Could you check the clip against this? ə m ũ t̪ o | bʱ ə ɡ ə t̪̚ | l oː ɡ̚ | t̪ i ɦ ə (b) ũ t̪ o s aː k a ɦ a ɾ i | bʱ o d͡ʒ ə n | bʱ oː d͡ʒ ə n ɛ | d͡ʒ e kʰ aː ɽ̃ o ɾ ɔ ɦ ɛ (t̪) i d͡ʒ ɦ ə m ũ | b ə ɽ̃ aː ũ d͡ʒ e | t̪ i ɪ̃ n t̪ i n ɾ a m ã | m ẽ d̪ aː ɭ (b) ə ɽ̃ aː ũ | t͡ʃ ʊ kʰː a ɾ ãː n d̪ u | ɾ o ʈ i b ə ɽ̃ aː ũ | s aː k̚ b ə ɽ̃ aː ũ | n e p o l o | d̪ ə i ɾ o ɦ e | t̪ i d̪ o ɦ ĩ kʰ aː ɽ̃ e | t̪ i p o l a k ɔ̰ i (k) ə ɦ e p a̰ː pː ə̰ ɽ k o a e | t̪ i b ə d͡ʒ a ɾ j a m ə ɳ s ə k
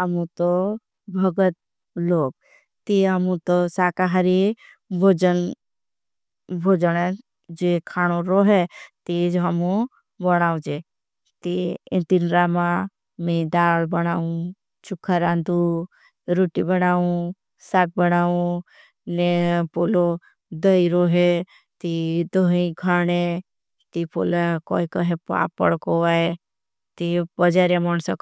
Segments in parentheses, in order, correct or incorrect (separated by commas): incorrect, correct, correct, correct